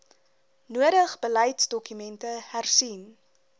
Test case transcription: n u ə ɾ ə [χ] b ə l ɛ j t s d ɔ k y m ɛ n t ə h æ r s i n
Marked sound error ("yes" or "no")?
no